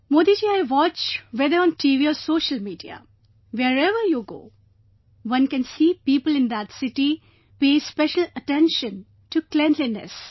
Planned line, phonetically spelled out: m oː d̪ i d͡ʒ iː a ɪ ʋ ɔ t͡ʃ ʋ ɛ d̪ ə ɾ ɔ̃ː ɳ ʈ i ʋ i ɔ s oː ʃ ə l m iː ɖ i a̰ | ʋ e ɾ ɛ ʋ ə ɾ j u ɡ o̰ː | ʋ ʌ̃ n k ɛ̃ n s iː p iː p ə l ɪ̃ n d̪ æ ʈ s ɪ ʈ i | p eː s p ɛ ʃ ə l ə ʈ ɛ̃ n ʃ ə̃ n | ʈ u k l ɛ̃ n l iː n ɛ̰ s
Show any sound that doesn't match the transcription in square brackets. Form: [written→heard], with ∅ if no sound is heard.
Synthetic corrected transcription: m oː d̪ i d͡ʒ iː a ɪ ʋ ɔ t͡ʃ ʋ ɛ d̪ ə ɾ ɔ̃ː [ɳ→n] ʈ i ʋ i ɔ s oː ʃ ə l m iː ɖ i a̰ | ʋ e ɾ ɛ ʋ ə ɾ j u ɡ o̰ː | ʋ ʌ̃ n k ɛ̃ n s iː p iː p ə l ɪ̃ n d̪ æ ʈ s ɪ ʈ i | p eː s p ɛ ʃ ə l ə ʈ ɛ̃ n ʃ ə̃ n | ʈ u k l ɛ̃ n l [iː→i] n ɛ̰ s